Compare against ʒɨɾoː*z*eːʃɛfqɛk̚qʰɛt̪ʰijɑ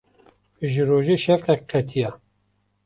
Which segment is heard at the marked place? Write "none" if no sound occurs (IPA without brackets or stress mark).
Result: ʒ